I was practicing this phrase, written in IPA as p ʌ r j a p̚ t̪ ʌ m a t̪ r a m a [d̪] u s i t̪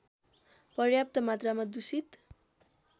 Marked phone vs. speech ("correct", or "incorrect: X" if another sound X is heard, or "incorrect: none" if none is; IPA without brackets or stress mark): correct